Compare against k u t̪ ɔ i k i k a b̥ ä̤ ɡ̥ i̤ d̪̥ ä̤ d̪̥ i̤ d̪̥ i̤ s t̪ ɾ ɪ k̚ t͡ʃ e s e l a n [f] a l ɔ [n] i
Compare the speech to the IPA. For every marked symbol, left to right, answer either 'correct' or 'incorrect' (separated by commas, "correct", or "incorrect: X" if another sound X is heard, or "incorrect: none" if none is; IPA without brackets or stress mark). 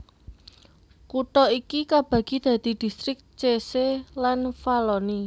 correct, correct